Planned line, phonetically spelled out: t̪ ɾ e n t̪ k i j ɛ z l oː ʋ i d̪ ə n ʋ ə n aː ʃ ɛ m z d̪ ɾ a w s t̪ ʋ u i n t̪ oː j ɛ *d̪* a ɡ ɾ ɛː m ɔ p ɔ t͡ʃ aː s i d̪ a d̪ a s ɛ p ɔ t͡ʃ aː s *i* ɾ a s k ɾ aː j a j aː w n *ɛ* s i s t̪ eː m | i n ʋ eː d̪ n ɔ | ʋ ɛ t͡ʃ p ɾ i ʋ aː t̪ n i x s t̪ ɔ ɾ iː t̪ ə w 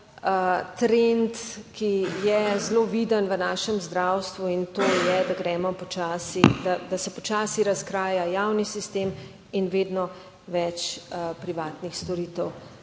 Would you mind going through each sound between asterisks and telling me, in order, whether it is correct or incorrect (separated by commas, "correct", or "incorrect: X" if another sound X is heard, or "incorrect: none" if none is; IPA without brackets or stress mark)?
correct, correct, incorrect: i